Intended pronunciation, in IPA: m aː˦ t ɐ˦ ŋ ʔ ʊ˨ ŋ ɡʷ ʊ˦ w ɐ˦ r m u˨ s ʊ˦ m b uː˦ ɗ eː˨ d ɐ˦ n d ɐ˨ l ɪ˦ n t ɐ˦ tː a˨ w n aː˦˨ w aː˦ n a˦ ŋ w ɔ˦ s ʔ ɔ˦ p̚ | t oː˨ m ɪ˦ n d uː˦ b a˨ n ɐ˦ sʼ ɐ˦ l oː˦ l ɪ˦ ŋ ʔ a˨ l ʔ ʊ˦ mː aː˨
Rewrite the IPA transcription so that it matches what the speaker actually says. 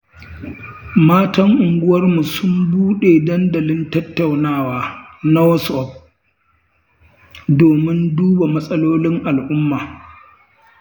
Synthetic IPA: m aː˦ t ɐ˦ ŋ ʔ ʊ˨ ŋ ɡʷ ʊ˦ w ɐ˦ r m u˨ s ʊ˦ m b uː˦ ɗ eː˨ d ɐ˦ n d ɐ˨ l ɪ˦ n t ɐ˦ tː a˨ w n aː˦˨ w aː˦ n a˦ w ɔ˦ s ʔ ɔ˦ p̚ | d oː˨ m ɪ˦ n d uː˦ b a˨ m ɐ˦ sʼ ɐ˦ l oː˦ l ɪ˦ ŋ ʔ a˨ l ʔ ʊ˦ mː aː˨